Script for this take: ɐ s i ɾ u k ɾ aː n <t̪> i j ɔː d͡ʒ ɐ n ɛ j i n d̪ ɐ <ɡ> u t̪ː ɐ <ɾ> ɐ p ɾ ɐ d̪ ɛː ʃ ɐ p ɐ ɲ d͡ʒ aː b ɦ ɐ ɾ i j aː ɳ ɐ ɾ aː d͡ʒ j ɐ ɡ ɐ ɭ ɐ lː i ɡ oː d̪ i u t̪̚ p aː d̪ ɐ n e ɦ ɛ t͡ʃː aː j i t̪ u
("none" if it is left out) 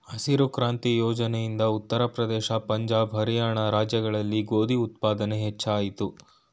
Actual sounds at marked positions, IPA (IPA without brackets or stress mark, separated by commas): t̪, none, ɾ